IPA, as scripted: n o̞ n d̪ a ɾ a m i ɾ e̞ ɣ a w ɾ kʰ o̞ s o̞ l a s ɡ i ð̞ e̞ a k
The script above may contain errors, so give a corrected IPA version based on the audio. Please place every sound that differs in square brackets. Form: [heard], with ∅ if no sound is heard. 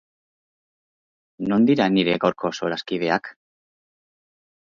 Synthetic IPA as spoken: n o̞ n d̪ [i] ɾ a [n] i ɾ e̞ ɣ a w ɾ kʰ o̞ s o̞ [ɾ] a s [k] i ð̞ e̞ a k

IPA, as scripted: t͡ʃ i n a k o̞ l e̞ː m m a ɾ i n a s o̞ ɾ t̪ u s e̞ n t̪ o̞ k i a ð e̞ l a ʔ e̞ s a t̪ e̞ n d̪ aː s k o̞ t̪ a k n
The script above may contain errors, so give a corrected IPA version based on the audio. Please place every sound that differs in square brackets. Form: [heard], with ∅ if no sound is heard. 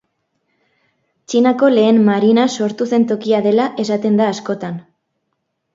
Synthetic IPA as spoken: t͡ʃ i n a k o̞ l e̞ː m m a ɾ i n a s o̞ ɾ t̪ u s e̞ n t̪ o̞ k i a ð e̞ l a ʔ e̞ s a t̪ e̞ n d̪ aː s k o̞ t̪ a [∅] n

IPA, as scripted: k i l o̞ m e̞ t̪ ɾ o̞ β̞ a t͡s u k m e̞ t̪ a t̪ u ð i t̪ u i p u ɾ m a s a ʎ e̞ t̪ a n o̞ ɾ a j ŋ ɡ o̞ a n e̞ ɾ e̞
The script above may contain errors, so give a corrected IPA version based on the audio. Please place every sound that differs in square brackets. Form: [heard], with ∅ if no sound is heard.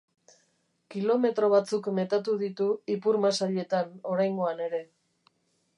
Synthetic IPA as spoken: k i l o̞ m e̞ t̪ ɾ o̞ β̞ a t͡s u k m e̞ t̪ a t̪ u ð i t̪ u i p u ɾ m a s a ʎ e̞ t̪ a n o̞ ɾ a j ŋ ɡ o̞ a n e̞ ɾ e̞

